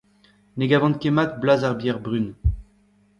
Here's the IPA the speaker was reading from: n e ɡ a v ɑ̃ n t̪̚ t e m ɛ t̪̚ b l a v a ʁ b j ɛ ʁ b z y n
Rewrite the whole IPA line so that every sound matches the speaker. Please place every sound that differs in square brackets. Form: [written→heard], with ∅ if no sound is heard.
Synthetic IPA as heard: n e ɡ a v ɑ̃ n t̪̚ [t→k] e m [ɛ→a] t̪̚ b l a [v→z] a ʁ b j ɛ ʁ b [z→ʁ] y n

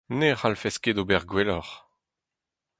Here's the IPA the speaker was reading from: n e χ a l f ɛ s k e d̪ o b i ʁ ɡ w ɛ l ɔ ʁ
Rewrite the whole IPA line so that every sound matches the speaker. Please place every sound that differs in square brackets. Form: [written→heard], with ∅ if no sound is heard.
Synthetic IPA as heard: n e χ a l f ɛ s k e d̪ o b [i→ɛ] ʁ ɡ w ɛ l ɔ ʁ

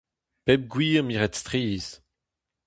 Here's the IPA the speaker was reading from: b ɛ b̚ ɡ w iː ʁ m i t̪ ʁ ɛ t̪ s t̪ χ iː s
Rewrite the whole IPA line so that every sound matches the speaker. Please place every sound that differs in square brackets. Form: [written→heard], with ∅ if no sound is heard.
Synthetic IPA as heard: [b→p] ɛ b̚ ɡ w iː ʁ m i [t̪→∅] ʁ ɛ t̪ s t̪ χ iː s

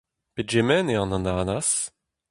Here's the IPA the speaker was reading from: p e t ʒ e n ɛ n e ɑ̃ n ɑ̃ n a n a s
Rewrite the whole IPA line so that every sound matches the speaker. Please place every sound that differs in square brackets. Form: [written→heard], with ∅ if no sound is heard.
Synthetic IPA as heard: p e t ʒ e [n→m] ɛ n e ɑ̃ n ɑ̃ n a n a s

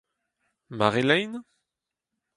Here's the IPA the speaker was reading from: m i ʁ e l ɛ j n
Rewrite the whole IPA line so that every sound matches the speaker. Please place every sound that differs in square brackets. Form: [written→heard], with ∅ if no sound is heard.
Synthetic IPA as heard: m [i→a] ʁ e l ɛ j n

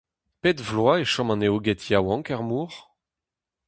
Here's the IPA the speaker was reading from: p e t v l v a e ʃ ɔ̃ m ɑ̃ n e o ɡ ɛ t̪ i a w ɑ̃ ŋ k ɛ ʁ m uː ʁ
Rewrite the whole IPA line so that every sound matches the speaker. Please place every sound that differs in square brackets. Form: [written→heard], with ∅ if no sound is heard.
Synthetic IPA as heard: p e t v l [v→w] a e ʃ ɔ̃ m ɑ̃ n e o ɡ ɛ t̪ [i→j] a w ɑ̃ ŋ k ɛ ʁ m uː ʁ

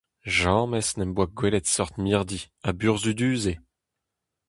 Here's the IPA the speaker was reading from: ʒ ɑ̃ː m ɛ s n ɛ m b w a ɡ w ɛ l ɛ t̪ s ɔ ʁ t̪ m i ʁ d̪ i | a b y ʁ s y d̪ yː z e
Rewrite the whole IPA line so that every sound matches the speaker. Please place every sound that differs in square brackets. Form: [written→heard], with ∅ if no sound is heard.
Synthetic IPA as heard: ʒ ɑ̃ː m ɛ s n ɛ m b w a ɡ w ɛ l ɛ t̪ s ɔ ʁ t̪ m i ʁ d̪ i | a b y ʁ [s→z] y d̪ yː z e

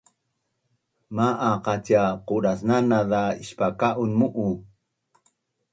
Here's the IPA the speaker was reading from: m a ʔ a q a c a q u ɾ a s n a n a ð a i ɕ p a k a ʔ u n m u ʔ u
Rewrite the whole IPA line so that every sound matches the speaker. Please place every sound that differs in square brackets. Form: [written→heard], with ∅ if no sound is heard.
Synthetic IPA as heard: m a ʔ a q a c a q u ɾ a s n a n a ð a i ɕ p a k a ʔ u n m u ʔ u

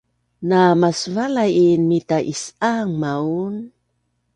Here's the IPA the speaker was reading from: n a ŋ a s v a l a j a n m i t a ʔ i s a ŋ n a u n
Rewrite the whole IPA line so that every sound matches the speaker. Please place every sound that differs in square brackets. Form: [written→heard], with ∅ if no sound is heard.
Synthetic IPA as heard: n a [ŋ→m] a s v a l a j [a→i] n m i t a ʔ i s a ŋ [n→m] a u n

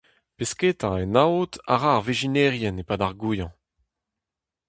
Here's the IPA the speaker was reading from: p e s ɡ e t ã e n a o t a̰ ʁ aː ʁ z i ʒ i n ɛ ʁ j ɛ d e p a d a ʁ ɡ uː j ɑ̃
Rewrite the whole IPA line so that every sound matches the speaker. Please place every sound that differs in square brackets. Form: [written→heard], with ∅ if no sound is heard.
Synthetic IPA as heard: p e s [ɡ→k] e t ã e n a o t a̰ ʁ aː ʁ [z→v] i ʒ i n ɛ ʁ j ɛ [d→n] e p a d a ʁ ɡ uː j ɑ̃

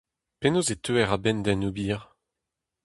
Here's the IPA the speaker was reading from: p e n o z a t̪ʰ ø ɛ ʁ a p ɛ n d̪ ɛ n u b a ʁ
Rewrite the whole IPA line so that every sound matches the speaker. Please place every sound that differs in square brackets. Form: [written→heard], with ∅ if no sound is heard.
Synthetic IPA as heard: p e n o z [a→e] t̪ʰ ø ɛ ʁ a [p→b] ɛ n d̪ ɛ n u b [a→i] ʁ

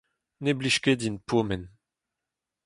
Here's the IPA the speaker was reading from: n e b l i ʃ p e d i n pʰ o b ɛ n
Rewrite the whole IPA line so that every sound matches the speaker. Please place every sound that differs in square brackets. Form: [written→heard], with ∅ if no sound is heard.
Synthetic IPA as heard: n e b l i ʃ [p→k] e d i n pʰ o [b→m] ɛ n

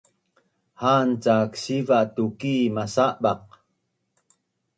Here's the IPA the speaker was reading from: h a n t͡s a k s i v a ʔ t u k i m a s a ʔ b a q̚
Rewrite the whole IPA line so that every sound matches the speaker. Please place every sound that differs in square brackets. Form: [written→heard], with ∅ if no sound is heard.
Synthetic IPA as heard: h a n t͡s a k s i v a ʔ t u k i m a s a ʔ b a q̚

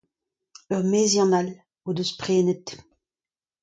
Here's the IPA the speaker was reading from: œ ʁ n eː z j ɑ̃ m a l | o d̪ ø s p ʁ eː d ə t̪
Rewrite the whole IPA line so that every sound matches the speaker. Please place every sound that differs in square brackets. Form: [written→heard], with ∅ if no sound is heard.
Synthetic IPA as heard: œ ʁ [n→m] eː z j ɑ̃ [m→n] a l | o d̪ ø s p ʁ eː [d→n] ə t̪

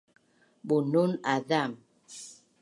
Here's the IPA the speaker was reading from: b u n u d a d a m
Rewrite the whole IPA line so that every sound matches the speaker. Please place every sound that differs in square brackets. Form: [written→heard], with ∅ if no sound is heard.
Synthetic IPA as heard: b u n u [d→n] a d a m

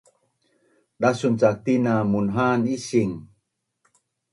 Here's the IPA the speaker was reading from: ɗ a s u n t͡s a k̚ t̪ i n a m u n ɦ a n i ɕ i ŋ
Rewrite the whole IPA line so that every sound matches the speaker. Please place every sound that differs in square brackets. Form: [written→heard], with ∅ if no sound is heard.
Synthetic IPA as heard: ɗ a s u n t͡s a k̚ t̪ i n a m u n ɦ a n i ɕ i ŋ

